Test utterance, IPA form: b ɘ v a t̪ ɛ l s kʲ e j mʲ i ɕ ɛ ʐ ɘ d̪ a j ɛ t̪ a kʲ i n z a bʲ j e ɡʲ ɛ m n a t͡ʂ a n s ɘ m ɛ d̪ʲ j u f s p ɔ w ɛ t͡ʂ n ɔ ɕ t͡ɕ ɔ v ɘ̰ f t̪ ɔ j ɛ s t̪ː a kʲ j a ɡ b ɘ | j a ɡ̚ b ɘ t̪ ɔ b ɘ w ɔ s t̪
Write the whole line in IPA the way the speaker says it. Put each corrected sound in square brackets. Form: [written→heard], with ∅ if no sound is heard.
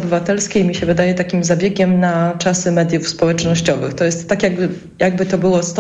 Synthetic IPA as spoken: b ɘ v a t̪ ɛ l s kʲ e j mʲ i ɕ ɛ [ʐ→v] ɘ d̪ a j ɛ t̪ a kʲ i [n→m] z a bʲ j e ɡʲ ɛ m n a t͡ʂ a [n→∅] s ɘ m ɛ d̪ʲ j u f s p ɔ w ɛ t͡ʂ n ɔ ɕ t͡ɕ ɔ v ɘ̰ [f→x] t̪ ɔ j ɛ s t̪ː a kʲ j a ɡ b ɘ | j a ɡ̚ b ɘ t̪ ɔ b ɘ w ɔ s t̪